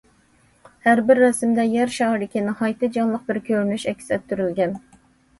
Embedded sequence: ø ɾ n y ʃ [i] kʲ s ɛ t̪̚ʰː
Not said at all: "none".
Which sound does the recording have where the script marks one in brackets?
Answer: ɛ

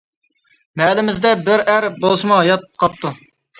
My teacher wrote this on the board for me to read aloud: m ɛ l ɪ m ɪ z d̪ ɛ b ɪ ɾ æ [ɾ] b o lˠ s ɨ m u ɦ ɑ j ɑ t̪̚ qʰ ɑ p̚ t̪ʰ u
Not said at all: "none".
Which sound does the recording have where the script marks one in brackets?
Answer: ɾ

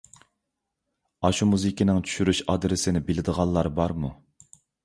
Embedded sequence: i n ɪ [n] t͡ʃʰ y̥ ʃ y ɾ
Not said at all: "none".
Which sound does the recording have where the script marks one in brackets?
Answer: ŋ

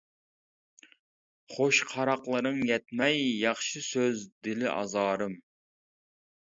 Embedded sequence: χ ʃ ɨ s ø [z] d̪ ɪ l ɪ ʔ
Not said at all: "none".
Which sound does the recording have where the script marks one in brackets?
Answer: z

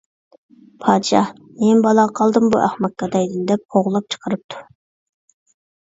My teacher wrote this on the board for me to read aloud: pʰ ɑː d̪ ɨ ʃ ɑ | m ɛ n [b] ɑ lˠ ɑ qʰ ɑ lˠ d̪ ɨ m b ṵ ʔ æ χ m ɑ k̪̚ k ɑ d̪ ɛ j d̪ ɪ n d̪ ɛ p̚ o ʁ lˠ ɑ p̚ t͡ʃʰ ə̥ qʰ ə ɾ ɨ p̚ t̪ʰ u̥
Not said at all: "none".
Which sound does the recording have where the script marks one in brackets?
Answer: b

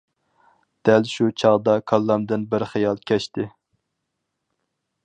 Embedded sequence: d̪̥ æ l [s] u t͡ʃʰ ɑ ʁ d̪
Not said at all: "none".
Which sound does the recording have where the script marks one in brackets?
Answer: ʃ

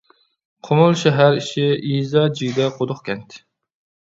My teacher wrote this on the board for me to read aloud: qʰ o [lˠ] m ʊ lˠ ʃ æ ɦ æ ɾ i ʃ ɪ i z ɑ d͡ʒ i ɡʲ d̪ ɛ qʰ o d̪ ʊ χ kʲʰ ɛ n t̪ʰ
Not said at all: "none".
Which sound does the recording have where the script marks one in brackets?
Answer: none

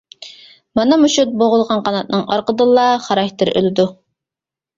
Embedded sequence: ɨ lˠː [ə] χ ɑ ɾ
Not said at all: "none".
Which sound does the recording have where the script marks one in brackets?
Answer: ɑ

